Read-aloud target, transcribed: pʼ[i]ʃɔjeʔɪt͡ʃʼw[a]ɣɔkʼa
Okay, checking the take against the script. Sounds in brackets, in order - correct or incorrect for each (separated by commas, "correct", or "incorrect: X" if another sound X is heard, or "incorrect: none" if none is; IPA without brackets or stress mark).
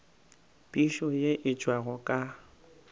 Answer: correct, correct